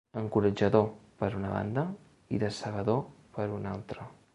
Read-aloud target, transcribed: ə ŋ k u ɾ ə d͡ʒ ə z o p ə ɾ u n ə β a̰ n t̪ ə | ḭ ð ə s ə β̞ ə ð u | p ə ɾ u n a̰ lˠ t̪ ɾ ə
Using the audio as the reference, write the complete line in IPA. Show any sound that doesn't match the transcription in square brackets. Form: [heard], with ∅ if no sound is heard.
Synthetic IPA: ə ŋ k u ɾ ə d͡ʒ ə [ð] o p ə ɾ u n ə β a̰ n [d̪] ə | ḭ ð ə s ə β̞ ə ð [o] | p ə ɾ u n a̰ lˠ t̪ ɾ ə